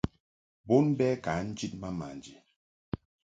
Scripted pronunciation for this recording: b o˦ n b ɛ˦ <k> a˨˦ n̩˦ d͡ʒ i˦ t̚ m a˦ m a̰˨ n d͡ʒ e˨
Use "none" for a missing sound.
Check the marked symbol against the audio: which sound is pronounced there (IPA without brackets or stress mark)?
k